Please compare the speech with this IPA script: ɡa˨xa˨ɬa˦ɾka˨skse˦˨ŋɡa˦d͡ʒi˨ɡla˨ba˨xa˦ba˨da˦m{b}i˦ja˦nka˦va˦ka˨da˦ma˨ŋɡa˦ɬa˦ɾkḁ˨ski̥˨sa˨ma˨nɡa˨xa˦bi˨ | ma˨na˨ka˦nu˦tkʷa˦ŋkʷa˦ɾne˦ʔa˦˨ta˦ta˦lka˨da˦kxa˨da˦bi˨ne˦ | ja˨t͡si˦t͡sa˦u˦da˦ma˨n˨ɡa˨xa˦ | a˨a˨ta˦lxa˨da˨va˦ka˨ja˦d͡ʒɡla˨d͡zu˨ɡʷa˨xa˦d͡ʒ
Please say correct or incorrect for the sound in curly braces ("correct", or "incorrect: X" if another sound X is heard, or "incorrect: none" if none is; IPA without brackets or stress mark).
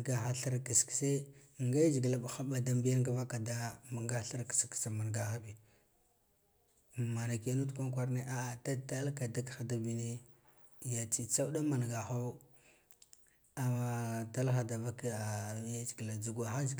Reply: correct